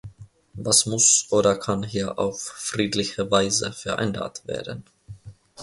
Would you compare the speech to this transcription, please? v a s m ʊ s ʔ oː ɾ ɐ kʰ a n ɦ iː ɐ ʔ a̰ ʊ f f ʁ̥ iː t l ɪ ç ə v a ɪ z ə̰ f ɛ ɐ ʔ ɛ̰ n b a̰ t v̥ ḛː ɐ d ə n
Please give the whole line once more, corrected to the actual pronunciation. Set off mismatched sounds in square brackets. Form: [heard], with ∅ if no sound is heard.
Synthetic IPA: v a s m ʊ s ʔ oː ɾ ɐ kʰ a n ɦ iː ɐ ʔ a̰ ʊ f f ʁ̥ iː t l ɪ ç ə v a ɪ z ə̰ f ɛ ɐ ʔ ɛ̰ n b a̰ t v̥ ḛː ɐ d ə n